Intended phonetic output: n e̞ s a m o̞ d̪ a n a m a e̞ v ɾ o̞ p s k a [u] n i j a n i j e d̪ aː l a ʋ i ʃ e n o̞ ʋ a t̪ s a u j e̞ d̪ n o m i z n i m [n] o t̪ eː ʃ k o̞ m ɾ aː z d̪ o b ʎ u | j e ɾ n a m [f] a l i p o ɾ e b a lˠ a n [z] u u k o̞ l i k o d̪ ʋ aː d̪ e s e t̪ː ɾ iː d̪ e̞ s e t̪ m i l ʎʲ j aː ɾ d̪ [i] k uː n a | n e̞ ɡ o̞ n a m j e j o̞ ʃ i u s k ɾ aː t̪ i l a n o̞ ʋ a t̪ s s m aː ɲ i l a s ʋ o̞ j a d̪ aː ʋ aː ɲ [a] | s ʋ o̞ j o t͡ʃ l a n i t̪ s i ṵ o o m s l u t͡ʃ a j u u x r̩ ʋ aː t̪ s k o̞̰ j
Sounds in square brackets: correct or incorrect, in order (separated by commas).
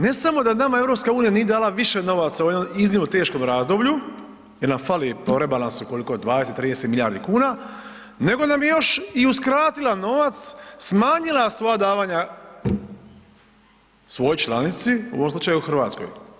incorrect, correct, correct, incorrect, correct, correct